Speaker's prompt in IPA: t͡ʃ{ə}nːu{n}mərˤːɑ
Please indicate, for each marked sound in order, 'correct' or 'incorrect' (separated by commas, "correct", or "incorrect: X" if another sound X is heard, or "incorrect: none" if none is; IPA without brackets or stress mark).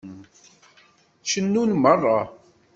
correct, correct